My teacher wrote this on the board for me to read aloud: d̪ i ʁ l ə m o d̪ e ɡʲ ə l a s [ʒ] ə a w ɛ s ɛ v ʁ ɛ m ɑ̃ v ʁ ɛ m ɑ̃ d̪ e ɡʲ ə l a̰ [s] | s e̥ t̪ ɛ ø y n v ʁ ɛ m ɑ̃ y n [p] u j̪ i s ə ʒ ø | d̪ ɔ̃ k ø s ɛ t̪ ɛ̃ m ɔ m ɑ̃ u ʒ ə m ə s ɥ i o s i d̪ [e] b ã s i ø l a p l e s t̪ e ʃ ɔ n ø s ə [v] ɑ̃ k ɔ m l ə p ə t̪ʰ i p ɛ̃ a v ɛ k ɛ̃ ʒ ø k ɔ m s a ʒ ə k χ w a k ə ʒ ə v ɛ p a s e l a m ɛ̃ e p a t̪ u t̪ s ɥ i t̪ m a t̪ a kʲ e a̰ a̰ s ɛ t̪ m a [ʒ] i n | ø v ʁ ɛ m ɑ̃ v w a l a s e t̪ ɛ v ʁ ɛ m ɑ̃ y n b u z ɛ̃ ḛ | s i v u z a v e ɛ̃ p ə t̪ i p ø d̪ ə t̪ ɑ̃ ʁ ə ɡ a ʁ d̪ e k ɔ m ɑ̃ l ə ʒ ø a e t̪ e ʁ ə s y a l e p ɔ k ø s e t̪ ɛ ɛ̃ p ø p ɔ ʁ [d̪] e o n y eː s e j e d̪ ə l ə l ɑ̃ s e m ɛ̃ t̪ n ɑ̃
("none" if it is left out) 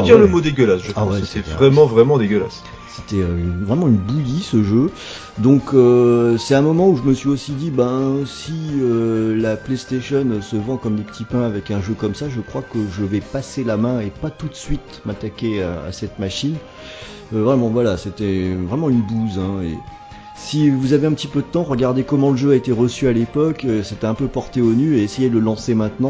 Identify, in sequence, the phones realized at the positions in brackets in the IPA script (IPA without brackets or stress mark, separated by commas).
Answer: ʒ, s, b, i, v, ʃ, t̪